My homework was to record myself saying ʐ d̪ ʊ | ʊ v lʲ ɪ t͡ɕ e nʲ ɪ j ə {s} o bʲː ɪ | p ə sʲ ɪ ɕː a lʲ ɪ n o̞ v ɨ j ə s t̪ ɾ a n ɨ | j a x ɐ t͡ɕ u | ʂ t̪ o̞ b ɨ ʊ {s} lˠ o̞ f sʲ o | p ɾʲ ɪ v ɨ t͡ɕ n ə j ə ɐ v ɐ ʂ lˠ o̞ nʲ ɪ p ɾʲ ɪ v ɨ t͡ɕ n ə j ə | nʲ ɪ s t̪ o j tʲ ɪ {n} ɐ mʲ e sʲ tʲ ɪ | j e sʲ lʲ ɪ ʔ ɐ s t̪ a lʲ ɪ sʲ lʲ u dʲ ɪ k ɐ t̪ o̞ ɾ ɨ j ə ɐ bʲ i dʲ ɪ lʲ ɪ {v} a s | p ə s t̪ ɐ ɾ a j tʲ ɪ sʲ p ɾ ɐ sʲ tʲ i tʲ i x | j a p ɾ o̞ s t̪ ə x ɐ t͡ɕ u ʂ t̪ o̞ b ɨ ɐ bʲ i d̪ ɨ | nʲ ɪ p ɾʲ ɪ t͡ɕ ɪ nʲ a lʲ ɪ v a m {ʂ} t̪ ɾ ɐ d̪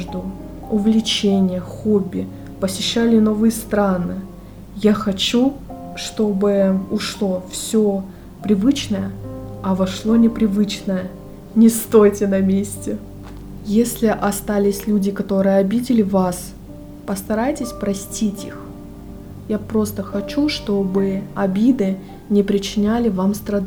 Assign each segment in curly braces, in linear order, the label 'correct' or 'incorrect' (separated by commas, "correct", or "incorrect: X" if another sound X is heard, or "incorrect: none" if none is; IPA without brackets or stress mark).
incorrect: x, incorrect: ʂ, correct, correct, incorrect: s